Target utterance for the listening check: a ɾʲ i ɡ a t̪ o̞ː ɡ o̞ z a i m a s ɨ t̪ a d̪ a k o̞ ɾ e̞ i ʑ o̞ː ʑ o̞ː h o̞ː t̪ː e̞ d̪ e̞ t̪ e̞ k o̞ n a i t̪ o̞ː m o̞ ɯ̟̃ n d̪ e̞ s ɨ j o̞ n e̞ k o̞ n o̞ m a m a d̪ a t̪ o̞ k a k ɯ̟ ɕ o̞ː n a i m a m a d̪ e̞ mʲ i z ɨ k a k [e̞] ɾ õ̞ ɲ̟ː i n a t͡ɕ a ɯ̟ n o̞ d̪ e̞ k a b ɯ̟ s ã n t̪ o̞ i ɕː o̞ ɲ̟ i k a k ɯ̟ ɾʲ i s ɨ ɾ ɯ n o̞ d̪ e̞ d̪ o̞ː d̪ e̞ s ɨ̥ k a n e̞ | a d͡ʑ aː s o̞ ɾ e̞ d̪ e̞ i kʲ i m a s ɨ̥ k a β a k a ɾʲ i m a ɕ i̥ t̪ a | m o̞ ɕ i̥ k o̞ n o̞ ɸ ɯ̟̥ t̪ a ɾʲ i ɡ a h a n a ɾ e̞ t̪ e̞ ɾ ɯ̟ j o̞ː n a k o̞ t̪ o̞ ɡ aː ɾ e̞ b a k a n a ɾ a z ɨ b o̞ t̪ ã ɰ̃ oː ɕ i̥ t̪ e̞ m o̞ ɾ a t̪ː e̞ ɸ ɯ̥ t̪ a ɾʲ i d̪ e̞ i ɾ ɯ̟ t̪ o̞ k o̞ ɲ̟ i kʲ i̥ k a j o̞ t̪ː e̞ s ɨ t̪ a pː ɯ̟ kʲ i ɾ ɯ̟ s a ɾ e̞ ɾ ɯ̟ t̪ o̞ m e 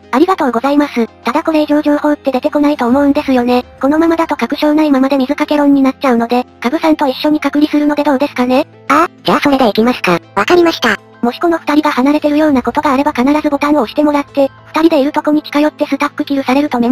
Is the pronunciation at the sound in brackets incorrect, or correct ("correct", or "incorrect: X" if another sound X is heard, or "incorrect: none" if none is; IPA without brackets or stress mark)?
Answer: correct